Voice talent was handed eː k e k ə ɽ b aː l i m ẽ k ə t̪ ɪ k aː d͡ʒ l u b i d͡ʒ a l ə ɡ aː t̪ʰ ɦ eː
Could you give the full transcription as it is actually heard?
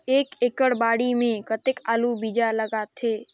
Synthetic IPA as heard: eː k e k ə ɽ b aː ɽ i m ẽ k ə t̪ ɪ k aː l u b i d͡ʒ a l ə ɡ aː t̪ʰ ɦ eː

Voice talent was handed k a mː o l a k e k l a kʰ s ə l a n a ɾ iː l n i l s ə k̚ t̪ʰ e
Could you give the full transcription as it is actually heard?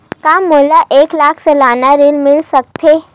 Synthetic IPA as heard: k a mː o l a ʔ e k l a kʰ s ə l a n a ɾ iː l m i l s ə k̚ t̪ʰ e

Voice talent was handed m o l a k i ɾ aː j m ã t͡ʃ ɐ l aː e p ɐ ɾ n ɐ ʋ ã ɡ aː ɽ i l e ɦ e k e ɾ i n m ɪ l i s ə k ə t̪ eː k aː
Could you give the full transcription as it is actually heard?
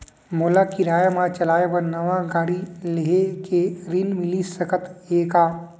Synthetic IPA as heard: m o l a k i ɾ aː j m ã t͡ʃ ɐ l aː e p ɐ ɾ n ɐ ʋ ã ɡ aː ɽ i l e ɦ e k e ɾ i n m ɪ l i s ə k ə t̪ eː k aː

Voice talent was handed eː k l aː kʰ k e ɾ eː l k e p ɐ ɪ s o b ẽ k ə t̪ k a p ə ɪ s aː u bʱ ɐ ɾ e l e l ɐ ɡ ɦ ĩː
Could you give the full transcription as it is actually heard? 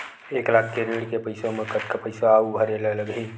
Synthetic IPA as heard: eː k l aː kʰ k e ɾ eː ɽ k e p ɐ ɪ s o m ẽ k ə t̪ k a p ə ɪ s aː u bʱ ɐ ɾ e l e l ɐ ɡ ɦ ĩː

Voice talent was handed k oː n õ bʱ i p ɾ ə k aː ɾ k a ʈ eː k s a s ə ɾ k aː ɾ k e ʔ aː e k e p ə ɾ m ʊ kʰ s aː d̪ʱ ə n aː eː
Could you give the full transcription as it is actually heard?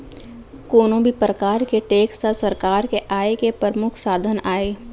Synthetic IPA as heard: k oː n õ bʱ i p ɾ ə k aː ɾ k e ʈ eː k s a s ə ɾ k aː ɾ k e ʔ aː e k e p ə ɾ m ʊ kʰ s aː d̪ʱ ə n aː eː

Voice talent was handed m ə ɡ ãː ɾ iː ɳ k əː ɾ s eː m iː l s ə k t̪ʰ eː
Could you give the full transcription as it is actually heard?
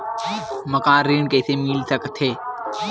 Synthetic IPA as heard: m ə k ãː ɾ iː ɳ k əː s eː m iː l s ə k t̪ʰ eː

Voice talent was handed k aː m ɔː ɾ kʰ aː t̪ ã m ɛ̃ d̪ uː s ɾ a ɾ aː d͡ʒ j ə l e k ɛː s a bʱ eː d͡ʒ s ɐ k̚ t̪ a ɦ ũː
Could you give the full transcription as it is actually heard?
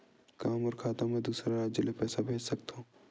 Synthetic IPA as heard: k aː m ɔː ɾ kʰ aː t̪ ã m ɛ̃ d̪ uː s ɾ a ɾ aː d͡ʒ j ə l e p ɛː s a bʱ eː d͡ʒ s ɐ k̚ t̪ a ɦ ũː

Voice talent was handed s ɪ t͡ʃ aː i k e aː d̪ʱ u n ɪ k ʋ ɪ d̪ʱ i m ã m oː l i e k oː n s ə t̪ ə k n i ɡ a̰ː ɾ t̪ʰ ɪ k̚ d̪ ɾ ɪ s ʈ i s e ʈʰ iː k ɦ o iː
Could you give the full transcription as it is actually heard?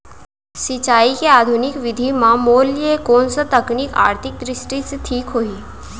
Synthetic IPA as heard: s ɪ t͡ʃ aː i k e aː d̪ʱ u n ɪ k ʋ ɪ d̪ʱ i m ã m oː l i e k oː n s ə t̪ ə k n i k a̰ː ɾ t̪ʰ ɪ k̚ d̪ ɾ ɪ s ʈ i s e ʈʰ iː k ɦ o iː

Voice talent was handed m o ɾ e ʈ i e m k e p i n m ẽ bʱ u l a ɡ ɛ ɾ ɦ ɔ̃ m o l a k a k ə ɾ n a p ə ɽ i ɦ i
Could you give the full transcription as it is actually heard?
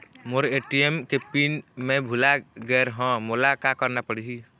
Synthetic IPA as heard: m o ɾ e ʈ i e m k e p i n m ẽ bʱ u l a ɡ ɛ ɾ ɦ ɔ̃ m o l a k a k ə ɾ n a p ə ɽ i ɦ i

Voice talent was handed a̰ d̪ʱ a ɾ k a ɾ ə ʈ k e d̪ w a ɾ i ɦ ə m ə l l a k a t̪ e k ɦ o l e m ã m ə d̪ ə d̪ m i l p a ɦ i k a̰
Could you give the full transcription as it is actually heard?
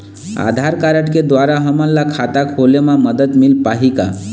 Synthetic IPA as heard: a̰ d̪ʱ a ɾ k a ɾ ə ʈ k e d̪ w a ɾ a ɦ ə m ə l l a kʰ a t̪ a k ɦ o l e m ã m ə d̪ ə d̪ m i l p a ɦ i k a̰

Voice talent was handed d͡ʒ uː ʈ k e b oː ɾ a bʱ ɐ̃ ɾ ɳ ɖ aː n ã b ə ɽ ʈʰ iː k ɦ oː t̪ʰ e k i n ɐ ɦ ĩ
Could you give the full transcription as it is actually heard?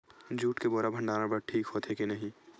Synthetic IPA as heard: d͡ʒ uː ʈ k e b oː ɾ a bʱ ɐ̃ ɳ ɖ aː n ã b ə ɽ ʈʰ iː k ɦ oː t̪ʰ e k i n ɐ ɦ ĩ

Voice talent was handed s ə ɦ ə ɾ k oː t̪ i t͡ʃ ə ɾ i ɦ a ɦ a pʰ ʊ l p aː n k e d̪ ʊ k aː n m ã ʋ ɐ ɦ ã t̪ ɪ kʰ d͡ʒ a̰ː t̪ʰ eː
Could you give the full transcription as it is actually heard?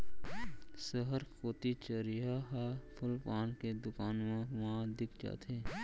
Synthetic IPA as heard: s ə ɦ ə ɾ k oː t̪ i t͡ʃ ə ɾ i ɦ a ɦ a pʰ ʊ l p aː n k e d̪ ʊ k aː n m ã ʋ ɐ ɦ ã d̪ ɪ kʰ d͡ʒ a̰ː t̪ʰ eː

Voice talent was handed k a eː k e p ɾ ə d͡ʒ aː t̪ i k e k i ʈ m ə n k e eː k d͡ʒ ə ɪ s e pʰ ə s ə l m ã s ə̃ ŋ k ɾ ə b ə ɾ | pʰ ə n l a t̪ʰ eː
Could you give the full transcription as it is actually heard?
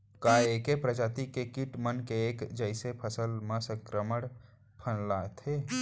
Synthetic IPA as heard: k a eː k e p ɾ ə d͡ʒ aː t̪ i k e k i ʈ m ə n k e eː k d͡ʒ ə ɪ s e pʰ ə s ə l m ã s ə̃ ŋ k ɾ ə m ə ɽ | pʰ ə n l a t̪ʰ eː

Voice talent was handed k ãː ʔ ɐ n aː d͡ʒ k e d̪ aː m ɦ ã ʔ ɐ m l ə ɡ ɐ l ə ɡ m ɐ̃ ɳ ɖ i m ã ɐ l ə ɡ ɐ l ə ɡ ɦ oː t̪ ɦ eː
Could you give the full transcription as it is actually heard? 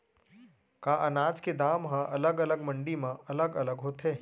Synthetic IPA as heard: k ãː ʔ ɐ n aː d͡ʒ k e d̪ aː m ɦ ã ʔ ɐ l ə ɡ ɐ l ə ɡ m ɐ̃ ɳ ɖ i m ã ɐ l ə ɡ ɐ l ə ɡ ɦ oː t̪ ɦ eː

